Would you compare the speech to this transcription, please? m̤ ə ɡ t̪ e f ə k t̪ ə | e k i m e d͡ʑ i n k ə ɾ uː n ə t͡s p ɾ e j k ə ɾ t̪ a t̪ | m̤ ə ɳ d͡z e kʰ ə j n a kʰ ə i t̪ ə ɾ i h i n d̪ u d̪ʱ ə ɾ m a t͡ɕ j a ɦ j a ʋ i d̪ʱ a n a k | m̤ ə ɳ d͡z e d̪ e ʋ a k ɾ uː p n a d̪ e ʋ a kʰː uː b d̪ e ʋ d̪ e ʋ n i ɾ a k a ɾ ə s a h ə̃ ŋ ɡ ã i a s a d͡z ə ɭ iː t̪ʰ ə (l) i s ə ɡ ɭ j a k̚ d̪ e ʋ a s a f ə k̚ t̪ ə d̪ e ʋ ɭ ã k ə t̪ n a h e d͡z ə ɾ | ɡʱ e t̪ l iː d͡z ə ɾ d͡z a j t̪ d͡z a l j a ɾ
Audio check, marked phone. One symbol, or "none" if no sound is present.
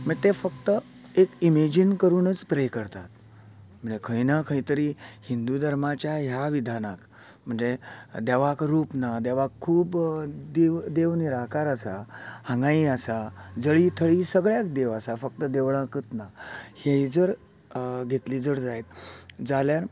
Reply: ɭ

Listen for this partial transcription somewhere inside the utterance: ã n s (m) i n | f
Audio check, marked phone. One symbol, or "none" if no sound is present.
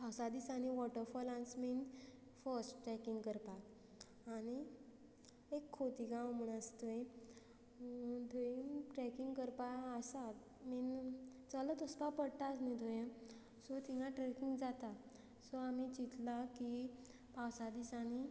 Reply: m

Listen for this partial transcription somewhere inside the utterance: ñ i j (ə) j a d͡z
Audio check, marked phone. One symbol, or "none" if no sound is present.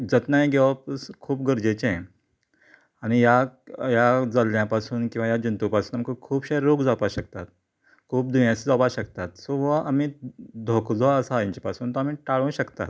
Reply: a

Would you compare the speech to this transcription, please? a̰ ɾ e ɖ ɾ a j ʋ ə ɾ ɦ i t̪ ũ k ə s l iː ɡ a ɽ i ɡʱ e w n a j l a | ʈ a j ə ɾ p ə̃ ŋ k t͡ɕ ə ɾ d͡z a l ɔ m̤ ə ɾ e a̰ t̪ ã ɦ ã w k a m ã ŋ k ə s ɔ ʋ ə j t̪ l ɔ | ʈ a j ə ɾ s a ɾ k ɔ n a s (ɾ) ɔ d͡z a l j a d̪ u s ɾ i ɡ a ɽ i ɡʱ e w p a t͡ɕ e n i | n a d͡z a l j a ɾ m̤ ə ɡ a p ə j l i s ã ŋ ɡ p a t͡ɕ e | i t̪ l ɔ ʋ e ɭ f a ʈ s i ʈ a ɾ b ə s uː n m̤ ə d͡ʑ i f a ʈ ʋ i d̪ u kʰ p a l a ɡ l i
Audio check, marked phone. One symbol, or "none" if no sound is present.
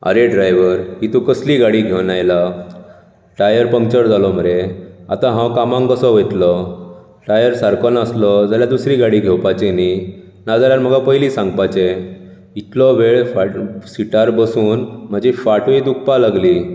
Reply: l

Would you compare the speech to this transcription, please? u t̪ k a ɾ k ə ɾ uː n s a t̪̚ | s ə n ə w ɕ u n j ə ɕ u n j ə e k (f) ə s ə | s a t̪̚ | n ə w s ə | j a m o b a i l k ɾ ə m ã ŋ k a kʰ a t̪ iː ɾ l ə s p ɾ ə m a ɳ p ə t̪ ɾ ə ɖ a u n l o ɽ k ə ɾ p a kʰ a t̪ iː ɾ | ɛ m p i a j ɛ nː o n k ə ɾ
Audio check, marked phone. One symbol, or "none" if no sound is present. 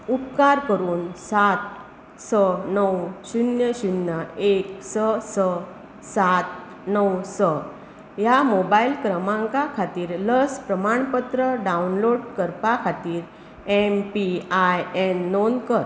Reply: s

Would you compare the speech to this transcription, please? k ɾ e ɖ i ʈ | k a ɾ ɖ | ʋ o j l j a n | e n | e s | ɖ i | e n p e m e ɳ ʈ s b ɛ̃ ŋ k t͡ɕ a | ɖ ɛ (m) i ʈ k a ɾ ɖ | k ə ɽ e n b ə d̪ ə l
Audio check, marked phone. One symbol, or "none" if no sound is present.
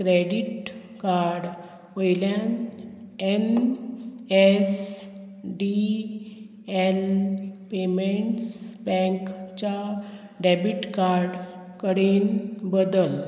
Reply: b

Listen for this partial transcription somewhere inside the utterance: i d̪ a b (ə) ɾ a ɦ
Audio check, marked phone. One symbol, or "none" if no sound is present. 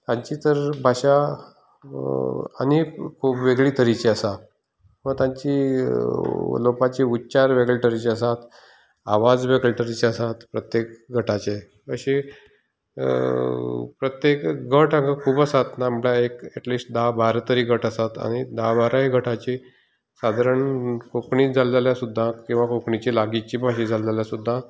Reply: a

